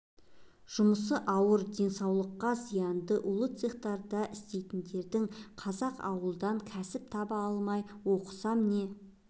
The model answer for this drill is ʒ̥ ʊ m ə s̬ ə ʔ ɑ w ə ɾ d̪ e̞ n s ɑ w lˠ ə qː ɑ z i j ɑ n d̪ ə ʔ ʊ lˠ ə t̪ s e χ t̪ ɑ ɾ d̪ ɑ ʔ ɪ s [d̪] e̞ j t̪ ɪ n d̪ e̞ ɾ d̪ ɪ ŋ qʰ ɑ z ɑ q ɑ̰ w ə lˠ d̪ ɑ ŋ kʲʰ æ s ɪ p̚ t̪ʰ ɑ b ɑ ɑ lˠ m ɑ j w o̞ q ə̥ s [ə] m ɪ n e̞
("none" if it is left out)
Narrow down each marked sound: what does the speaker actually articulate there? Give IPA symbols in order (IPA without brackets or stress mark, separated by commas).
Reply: t̪, ɑ